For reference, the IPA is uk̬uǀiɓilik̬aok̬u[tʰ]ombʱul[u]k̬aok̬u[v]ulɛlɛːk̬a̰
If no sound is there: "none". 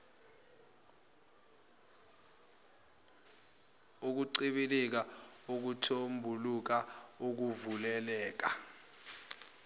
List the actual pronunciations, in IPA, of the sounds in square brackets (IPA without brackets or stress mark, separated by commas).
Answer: tʰ, u, v